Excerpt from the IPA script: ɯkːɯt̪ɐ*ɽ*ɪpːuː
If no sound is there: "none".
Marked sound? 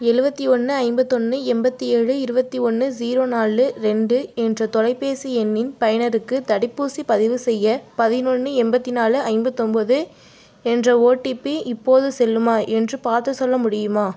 ɽ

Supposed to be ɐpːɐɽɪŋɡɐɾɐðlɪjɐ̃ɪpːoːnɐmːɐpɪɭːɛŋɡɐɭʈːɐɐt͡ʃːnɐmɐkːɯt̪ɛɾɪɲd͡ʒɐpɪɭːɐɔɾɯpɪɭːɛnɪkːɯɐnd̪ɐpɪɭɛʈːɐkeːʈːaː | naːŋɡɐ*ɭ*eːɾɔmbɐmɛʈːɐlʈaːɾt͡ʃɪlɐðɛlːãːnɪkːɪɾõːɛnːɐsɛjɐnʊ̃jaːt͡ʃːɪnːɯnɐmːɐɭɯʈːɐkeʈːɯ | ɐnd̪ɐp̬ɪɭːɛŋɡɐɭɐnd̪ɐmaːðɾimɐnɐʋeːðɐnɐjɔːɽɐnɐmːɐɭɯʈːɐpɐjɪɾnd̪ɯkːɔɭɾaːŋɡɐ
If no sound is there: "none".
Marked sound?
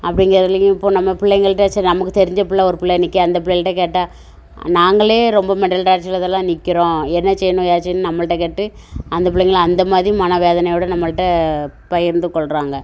ɭ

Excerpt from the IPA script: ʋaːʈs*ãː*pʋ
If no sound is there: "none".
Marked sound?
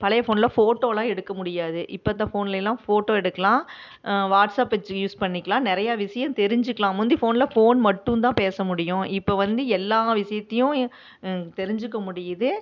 aː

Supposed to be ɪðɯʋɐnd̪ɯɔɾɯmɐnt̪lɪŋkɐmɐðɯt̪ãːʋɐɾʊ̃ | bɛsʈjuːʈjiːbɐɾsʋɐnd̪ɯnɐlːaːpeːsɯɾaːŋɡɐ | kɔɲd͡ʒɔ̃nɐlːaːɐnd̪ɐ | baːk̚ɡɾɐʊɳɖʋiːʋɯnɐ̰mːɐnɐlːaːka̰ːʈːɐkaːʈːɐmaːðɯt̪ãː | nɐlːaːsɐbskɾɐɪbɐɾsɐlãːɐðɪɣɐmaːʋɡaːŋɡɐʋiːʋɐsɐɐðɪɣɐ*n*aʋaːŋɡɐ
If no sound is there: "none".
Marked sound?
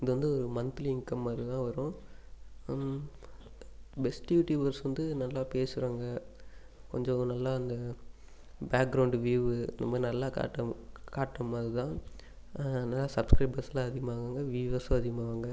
m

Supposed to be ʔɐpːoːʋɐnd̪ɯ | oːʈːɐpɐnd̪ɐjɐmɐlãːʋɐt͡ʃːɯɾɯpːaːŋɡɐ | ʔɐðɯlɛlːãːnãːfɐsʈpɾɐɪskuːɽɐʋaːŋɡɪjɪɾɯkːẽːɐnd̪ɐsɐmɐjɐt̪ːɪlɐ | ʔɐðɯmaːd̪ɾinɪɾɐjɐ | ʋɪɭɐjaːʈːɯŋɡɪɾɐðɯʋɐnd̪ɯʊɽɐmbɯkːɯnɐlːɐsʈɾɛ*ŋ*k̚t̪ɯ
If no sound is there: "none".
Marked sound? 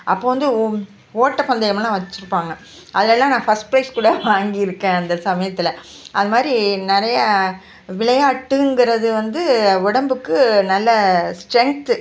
ŋ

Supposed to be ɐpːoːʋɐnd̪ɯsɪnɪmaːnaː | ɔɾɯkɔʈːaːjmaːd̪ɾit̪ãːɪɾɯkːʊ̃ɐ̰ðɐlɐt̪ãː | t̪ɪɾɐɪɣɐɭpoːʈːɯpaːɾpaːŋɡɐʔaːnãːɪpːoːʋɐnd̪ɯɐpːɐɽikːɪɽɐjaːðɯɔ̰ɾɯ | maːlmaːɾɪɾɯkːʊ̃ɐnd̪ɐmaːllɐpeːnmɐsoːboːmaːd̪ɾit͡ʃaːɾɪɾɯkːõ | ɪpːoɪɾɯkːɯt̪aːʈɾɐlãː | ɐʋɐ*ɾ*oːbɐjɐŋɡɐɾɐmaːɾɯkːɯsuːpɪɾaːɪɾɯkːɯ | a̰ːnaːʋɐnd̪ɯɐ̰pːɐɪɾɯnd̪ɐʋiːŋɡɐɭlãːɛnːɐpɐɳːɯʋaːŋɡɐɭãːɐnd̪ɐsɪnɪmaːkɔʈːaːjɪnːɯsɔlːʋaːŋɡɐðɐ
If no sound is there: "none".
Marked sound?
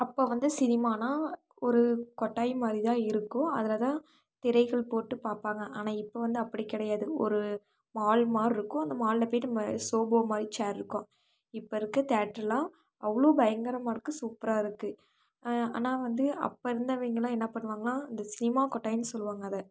ɭ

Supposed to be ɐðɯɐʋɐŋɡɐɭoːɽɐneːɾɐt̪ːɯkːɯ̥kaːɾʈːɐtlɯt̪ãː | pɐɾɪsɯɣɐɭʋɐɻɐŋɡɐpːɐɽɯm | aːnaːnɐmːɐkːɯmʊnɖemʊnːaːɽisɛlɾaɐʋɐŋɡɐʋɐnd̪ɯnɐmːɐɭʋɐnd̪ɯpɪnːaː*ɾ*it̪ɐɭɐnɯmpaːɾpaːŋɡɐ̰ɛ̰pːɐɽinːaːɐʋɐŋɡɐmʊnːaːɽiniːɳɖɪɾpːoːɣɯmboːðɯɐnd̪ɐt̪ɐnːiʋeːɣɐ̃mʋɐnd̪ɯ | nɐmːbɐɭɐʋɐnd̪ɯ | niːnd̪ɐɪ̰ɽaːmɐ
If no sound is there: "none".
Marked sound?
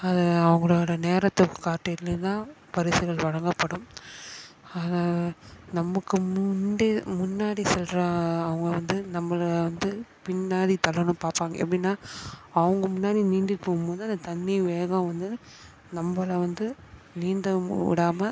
ɽ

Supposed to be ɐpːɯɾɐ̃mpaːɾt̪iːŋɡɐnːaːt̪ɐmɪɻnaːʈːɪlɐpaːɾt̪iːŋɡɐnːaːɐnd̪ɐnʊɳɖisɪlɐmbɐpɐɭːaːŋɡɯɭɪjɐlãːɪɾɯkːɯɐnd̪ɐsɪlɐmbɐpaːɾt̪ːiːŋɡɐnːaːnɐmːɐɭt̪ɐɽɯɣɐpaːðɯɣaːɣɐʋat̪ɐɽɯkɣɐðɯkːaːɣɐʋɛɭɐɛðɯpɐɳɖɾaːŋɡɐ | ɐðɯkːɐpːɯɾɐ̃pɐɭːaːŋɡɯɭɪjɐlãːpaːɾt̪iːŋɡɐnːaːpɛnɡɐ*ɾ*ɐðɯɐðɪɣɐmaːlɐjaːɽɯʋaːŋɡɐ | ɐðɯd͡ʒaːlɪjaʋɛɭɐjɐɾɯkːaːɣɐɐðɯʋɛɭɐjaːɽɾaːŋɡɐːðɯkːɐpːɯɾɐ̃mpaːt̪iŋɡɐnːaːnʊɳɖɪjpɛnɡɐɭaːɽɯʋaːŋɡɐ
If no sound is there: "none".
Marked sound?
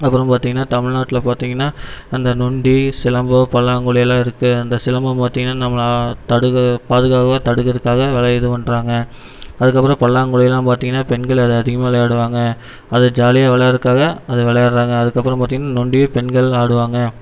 ɭ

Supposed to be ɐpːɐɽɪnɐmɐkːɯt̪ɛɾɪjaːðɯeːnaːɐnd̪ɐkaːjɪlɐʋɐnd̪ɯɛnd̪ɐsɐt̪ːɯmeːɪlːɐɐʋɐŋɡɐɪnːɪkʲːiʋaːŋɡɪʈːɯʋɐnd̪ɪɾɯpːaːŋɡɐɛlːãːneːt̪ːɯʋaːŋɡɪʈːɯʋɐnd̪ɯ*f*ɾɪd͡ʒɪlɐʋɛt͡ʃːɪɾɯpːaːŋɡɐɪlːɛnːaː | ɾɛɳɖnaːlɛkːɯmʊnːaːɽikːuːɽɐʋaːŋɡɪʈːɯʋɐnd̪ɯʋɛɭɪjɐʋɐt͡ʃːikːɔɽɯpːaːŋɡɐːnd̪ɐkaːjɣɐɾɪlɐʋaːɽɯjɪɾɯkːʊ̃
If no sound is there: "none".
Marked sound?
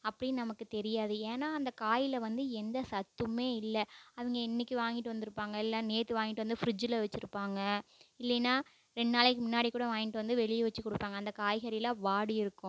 f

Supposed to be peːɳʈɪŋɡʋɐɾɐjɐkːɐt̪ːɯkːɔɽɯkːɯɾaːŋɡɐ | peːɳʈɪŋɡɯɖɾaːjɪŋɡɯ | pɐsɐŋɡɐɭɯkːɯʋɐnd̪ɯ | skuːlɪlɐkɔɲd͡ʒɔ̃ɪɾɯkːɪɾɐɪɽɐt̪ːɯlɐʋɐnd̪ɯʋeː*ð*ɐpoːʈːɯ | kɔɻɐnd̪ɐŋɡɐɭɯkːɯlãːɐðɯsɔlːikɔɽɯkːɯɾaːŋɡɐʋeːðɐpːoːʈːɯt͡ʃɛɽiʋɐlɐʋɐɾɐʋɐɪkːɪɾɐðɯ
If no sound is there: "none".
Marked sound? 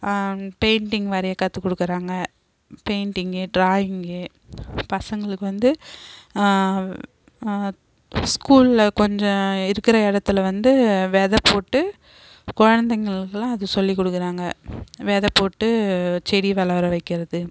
ð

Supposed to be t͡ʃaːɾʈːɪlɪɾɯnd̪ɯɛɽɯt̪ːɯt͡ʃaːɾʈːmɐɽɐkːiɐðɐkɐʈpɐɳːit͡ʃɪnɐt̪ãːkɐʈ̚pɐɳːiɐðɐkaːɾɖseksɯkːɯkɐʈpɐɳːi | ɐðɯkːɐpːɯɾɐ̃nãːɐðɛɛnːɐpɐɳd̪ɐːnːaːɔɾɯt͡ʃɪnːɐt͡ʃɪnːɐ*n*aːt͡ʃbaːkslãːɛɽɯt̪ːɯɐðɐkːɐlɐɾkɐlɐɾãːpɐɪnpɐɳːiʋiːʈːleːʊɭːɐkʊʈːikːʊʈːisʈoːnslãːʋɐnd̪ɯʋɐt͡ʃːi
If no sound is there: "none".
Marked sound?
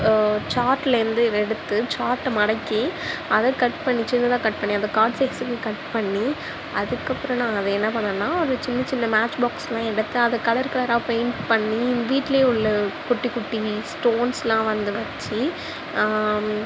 m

